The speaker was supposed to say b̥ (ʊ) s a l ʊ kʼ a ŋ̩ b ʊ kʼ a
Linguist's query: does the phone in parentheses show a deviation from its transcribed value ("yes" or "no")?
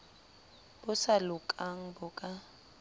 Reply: no